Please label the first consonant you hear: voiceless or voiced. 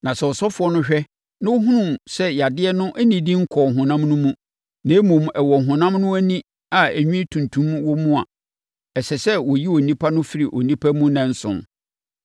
voiced